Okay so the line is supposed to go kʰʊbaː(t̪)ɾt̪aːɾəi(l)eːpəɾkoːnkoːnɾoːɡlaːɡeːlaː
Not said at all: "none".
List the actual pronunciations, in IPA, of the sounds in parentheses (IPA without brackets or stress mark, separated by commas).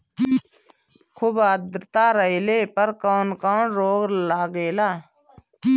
d̪, l